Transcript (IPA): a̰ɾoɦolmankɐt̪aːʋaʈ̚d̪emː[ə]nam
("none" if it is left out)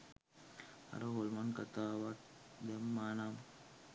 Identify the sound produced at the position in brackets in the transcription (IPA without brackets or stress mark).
a